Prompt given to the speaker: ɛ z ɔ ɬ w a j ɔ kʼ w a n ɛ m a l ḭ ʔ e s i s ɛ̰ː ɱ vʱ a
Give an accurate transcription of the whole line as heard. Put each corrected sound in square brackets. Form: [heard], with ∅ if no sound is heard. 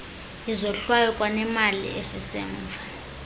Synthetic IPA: [i] z ɔ ɬ w a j ɔ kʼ w a n ɛ m a l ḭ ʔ e s i s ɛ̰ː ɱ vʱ a